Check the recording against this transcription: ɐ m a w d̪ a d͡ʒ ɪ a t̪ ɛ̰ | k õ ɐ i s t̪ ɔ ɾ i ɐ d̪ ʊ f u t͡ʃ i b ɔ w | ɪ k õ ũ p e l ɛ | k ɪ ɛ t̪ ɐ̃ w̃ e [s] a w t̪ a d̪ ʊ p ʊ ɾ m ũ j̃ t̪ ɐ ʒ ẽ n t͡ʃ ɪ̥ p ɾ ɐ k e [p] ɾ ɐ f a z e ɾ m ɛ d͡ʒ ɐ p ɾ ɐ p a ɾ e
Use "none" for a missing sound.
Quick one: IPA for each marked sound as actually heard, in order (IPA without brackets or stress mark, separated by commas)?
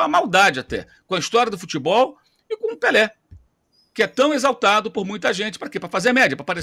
z, p